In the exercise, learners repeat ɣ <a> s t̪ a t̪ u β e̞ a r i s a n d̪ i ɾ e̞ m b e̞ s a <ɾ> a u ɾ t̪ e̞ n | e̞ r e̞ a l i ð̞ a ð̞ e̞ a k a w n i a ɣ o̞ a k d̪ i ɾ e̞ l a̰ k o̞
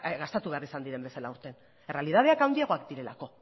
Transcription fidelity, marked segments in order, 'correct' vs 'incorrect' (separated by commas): correct, incorrect